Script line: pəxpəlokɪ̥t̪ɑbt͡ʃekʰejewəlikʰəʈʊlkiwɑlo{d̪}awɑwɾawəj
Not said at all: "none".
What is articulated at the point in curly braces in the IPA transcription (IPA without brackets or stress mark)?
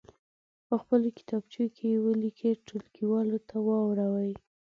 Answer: t̪